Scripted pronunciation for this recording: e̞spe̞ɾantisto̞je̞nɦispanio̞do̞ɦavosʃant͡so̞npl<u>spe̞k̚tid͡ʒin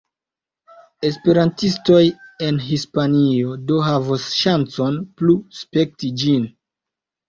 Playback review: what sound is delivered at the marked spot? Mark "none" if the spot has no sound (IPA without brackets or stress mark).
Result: u